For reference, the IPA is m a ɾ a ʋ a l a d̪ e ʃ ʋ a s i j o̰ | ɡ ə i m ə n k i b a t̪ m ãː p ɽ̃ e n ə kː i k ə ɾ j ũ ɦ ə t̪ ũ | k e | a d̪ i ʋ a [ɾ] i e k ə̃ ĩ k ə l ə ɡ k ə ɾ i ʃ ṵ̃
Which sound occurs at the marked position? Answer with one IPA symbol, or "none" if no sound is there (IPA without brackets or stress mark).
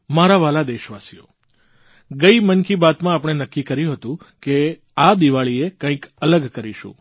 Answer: ɭ